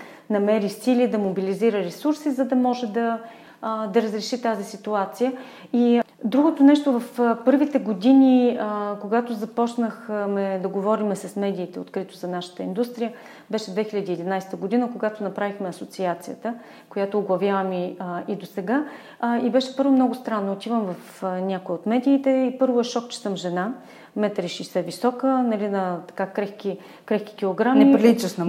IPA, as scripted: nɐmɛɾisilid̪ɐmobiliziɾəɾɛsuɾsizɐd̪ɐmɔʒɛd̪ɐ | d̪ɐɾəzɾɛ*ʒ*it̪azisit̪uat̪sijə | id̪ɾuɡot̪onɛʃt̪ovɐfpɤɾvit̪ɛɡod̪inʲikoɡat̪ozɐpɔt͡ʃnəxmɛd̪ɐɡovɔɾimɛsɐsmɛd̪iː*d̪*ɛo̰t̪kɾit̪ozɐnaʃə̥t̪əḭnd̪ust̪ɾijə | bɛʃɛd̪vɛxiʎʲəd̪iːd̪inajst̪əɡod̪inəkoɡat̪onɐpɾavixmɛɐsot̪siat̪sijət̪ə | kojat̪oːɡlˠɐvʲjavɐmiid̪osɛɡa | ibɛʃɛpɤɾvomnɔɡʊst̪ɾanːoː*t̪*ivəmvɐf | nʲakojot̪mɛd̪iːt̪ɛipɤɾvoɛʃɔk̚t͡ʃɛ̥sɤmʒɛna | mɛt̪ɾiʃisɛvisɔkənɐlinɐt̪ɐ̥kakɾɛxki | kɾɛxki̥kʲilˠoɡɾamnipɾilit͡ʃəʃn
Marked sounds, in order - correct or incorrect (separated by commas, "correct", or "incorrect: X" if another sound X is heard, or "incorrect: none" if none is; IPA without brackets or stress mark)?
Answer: incorrect: ʃ, incorrect: t̪, correct